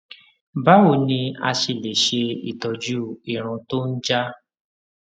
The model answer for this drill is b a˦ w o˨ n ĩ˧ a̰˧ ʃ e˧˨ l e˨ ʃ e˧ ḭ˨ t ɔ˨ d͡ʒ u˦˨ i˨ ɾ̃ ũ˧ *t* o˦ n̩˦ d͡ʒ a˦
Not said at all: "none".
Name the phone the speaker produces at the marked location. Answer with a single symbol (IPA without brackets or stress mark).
t